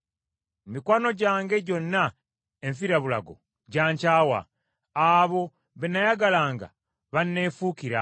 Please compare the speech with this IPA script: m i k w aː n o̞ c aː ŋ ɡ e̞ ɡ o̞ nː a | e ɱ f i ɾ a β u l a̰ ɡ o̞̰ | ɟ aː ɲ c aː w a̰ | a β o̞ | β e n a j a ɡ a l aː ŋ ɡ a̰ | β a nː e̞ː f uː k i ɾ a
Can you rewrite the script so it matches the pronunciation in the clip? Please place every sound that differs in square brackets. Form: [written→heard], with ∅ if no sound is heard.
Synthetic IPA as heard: m i k w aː n o̞ [c→ɟ] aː ŋ ɡ e̞ [ɡ→ɟ] o̞ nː a | e ɱ f i ɾ a β u l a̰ ɡ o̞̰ | ɟ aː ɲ c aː w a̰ | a β o̞ | β e n a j a ɡ a l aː ŋ ɡ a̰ | β a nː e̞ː f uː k i ɾ a